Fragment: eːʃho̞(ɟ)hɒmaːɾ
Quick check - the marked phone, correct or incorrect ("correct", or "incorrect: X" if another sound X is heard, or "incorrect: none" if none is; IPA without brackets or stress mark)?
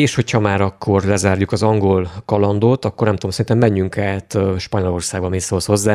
incorrect: c